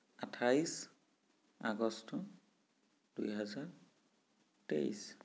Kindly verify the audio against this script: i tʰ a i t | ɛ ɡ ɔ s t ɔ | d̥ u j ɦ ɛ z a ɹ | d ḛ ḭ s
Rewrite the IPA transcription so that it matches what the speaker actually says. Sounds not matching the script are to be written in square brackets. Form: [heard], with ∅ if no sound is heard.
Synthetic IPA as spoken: [a] tʰ a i [s] | [a] ɡ ɔ s t ɔ | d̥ u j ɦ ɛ z a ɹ | [t] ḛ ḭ s